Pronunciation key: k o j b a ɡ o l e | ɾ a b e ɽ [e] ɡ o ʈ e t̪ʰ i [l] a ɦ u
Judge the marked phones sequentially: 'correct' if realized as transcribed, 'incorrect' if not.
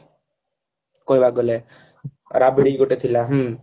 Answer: incorrect, correct

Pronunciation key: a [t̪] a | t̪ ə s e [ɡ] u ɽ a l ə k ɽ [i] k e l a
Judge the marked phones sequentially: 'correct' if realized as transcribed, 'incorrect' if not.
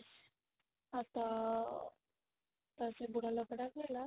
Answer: correct, incorrect, incorrect

